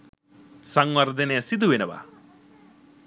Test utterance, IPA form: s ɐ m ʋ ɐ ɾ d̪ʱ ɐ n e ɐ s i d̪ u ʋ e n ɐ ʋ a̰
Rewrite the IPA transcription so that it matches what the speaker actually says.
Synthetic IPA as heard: s ɐ ŋ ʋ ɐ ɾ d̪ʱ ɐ n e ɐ s i d̪ u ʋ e n ɐ ʋ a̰